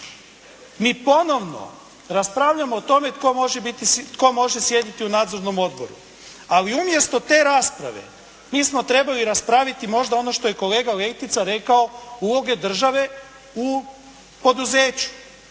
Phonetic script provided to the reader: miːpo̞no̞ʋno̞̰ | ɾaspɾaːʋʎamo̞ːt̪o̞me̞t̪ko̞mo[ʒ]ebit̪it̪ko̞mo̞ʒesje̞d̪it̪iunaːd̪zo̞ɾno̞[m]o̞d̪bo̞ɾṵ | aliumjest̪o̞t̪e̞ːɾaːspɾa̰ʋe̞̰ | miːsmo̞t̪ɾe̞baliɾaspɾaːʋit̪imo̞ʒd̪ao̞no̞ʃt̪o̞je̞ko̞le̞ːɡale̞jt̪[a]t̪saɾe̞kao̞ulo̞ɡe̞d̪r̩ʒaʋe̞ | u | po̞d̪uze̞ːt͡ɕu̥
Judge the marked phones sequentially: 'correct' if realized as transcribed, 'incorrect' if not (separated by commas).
correct, correct, incorrect